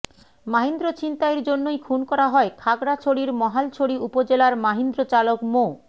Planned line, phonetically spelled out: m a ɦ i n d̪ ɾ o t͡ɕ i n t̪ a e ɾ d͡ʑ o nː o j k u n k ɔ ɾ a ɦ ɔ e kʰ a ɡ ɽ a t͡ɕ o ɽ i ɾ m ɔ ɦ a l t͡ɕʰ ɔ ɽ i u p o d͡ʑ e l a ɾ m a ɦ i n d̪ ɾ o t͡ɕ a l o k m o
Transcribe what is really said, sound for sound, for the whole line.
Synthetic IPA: m a ɦ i n d̪ ɾ o t͡ɕ i n t̪ a e ɾ d͡ʑ o nː o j kʰ u n k ɔ ɾ a ɦ ɔ e kʰ a ɡ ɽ a t͡ɕʰ o ɽ i ɾ m ɔ ɦ a l t͡ɕʰ o ɽ i u p o d͡ʑ e l a ɾ m a ɦ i n d̪ ɾ o t͡ɕ a l o k m o